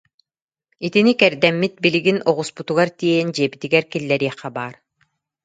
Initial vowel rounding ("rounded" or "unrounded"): unrounded